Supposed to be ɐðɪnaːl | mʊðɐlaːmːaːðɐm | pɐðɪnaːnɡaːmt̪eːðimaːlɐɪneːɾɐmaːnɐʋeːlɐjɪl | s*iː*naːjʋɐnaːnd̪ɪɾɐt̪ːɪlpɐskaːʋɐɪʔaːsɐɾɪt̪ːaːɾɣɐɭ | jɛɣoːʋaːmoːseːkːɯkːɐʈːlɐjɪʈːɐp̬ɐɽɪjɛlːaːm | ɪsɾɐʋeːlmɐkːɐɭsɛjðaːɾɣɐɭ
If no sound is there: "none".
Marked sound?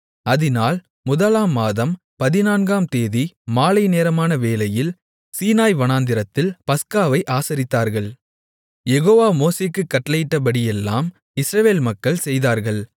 iː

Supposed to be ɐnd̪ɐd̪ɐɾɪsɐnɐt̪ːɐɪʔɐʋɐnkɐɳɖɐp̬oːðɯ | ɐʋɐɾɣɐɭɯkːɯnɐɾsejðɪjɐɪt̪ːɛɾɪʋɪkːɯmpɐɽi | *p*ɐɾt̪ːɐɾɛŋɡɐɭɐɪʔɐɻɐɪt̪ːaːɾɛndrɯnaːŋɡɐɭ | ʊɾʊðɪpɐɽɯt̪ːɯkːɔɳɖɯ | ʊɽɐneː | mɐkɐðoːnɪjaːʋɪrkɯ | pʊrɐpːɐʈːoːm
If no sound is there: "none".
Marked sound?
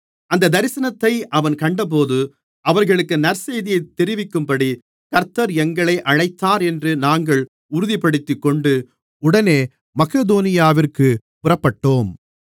k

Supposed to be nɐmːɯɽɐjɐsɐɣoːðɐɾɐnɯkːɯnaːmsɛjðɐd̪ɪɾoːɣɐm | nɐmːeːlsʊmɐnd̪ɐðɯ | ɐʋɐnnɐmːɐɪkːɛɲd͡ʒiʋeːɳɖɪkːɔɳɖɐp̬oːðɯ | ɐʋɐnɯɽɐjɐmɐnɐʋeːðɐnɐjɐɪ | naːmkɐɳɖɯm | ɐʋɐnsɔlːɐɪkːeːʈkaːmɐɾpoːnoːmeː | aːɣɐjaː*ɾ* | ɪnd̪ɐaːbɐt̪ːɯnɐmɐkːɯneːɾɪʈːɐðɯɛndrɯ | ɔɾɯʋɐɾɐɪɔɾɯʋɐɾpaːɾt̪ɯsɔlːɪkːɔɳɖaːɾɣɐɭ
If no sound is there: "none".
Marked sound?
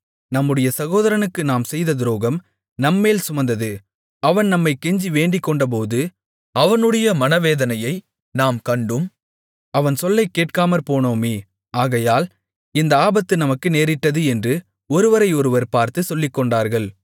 l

